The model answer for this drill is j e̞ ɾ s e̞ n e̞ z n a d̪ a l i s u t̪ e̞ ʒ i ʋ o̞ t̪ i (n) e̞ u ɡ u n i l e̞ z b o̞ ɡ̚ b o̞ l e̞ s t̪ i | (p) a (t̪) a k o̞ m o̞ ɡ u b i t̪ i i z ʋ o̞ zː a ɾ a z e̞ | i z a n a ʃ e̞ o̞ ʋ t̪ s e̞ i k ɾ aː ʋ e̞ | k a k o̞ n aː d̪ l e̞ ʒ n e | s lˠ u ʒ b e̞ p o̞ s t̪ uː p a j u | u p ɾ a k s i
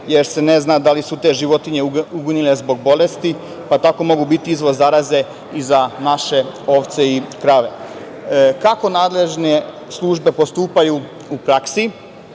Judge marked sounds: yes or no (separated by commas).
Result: no, yes, yes